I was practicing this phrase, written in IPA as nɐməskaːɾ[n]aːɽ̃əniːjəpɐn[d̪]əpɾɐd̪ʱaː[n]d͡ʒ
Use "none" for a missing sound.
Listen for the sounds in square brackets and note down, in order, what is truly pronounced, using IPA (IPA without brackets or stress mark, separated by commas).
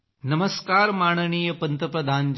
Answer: m, t̪, n